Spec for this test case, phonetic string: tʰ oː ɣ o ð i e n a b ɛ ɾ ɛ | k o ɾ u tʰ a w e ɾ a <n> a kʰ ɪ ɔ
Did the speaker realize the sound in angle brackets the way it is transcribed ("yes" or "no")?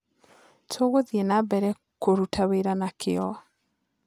yes